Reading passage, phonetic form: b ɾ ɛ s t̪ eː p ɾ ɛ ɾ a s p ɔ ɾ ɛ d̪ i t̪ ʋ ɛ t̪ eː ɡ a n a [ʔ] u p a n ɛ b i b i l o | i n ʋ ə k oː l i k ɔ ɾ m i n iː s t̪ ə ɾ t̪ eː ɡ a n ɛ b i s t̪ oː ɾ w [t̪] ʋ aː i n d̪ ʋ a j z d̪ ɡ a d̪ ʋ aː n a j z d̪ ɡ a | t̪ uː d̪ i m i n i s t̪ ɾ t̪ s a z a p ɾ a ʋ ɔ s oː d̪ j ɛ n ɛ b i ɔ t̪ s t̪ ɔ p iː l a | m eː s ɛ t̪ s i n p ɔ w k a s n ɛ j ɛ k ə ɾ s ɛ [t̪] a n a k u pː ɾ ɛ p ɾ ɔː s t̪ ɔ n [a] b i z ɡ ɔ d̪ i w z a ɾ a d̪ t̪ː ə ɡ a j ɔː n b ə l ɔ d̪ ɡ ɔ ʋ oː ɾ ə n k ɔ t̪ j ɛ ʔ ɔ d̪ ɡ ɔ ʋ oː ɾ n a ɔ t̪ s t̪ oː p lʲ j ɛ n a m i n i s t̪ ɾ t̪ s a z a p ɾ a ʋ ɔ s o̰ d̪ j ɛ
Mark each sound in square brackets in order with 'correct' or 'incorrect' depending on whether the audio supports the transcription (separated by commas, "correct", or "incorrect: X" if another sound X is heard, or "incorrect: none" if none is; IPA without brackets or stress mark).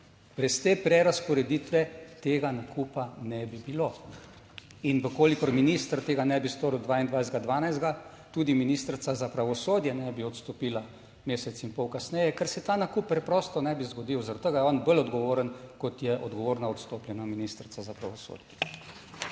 incorrect: k, incorrect: d̪, correct, incorrect: ɛ